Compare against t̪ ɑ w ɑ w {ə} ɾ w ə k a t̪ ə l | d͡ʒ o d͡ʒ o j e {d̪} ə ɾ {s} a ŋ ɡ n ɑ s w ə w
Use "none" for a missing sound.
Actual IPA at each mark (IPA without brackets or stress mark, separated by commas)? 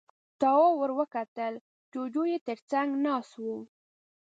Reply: ə, t̪, t͡s